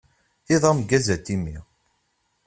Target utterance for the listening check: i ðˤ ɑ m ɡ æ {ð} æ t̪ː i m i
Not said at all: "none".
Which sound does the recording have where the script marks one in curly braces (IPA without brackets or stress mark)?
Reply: z